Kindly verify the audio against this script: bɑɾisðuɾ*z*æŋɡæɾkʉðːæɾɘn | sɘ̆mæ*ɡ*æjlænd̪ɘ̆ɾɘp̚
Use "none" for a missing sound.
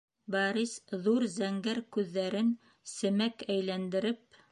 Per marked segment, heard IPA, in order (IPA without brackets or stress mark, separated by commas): z, k